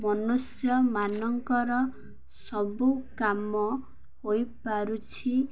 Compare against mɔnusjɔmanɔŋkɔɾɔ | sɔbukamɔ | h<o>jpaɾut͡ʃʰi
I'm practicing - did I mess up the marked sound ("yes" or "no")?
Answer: no